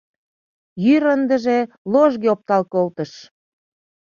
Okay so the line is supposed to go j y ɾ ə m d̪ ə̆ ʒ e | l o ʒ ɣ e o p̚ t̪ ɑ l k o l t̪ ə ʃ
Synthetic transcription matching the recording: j y ɾ ə n d̪ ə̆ ʒ e | l o ʒ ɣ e o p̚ t̪ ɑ l k o l t̪ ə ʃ